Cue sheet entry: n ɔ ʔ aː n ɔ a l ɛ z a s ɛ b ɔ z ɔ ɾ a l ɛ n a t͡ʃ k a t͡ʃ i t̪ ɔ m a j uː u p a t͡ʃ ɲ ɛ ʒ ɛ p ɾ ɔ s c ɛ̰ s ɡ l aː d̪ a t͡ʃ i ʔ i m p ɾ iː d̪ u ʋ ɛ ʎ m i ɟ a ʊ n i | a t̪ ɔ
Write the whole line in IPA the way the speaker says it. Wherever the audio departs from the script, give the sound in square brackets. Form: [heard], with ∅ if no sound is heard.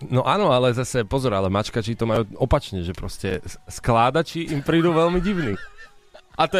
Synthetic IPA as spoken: n ɔ ʔ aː n ɔ a l ɛ z a s ɛ [p] ɔ z ɔ ɾ a l ɛ [m] a t͡ʃ k a t͡ʃ i t̪ ɔ m a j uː [ɔ] p a t͡ʃ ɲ ɛ ʒ ɛ p ɾ ɔ s c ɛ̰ s [k] l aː d̪ a t͡ʃ i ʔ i m p ɾ iː d̪ u ʋ ɛ [l] m i ɟ [i] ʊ n i | a t̪ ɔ